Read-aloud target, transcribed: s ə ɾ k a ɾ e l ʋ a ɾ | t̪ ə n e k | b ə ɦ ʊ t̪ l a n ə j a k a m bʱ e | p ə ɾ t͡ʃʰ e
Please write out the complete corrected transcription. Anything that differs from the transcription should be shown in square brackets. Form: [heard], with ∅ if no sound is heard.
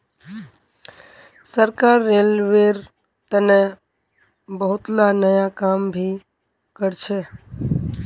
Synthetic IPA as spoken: s ə ɾ k a [ɾː] e l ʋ [e] ɾ | t̪ ə n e [∅] | b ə ɦ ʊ t̪ l a n ə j a k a m bʱ [i] | [k] ə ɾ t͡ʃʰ e